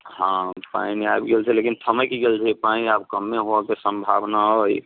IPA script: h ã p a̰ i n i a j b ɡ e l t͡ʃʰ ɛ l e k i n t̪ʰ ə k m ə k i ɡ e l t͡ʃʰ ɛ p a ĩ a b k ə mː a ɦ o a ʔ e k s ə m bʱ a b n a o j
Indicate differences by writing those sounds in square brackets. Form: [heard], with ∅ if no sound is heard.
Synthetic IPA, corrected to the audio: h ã p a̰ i n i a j b ɡ e l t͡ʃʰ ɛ l e k i n t̪ʰ ə [∅] m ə k i ɡ e l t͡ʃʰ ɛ p a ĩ a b k ə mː [e] ɦ o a [k] e [∅] s ə m bʱ a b n a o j